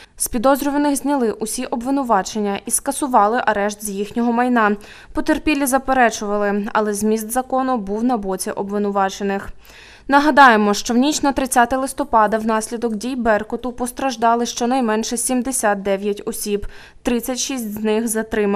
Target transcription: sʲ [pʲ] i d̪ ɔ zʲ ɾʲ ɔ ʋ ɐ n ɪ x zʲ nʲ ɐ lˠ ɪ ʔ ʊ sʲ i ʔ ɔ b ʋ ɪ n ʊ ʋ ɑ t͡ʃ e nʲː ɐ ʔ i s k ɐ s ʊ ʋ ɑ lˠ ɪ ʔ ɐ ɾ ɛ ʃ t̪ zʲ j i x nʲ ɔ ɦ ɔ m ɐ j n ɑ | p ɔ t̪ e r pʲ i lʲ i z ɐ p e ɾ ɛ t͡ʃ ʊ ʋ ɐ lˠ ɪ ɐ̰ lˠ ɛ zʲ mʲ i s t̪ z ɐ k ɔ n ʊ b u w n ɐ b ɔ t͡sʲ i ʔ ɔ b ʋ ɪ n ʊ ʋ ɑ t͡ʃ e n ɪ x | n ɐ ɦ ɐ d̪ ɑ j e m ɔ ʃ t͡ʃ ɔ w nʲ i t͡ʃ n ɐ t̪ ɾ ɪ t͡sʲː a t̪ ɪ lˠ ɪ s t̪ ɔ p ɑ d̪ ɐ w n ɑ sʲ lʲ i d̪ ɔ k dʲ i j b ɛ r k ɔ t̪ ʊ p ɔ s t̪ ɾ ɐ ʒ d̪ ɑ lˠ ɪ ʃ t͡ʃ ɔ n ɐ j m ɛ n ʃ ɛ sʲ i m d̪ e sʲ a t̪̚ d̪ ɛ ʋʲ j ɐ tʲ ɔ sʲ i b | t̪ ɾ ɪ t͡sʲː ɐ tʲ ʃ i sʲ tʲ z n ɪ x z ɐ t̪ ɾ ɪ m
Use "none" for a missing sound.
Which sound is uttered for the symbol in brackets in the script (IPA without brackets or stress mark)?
pʲ